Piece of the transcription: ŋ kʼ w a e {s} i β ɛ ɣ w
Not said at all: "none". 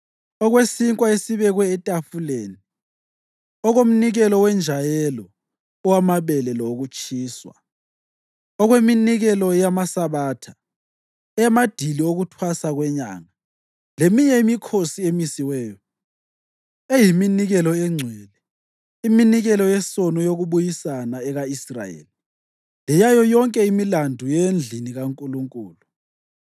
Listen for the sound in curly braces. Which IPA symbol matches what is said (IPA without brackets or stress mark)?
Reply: s